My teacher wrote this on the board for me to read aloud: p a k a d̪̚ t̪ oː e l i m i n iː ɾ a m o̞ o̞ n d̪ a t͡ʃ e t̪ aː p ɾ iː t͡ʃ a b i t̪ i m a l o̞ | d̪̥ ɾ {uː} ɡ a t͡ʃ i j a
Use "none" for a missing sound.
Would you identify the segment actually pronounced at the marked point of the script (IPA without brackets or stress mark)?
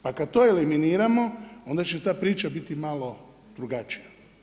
u